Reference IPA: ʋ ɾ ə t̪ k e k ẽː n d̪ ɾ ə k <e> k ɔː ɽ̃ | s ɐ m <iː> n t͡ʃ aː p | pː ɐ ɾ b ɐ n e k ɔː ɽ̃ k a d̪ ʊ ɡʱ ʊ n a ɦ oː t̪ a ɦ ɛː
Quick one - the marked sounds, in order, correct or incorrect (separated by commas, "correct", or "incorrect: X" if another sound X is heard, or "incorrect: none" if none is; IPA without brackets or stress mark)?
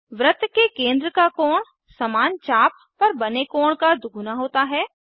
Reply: incorrect: a, incorrect: aː